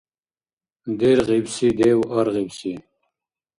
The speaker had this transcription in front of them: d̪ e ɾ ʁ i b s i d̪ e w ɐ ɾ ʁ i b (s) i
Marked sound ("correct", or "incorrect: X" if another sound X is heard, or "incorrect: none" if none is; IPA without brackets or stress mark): correct